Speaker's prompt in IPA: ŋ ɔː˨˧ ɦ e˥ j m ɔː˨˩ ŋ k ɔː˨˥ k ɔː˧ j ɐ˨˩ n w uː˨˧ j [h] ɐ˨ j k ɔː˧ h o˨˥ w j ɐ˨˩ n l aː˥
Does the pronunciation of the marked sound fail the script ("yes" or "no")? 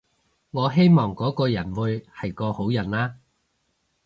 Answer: no